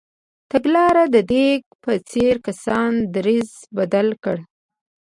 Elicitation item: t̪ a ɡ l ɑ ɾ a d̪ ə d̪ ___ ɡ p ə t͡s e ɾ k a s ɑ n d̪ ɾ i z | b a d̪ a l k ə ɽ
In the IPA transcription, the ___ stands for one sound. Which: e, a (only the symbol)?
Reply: e